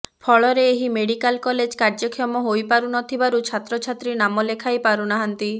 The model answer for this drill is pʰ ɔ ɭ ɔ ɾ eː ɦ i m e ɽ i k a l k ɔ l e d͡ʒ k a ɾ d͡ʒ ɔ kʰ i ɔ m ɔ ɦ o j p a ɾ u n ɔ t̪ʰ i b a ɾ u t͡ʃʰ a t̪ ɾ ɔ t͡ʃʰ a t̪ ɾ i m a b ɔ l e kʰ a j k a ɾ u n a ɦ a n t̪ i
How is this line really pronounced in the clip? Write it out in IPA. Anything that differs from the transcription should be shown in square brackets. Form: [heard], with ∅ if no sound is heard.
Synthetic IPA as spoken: pʰ ɔ ɭ ɔ ɾ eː ɦ i m e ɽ i k a l k ɔ l e d͡ʒ k a ɾ d͡ʒ ɔ kʰ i ɔ m ɔ ɦ o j p a ɾ u n ɔ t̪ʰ i b a ɾ u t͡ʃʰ a t̪ ɾ ɔ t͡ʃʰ a t̪ ɾ i [n] a [m] ɔ l e kʰ a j [p] a ɾ u n a ɦ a n t̪ i